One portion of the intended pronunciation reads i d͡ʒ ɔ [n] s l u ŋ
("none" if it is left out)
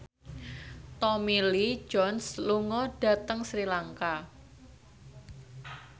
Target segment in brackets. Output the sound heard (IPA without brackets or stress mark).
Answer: n